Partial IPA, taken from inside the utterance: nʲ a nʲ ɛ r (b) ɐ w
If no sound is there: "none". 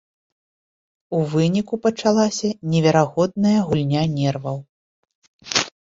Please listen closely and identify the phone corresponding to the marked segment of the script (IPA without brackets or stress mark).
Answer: v